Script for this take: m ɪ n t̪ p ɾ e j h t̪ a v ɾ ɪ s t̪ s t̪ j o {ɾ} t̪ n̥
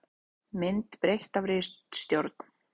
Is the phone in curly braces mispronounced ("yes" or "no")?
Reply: no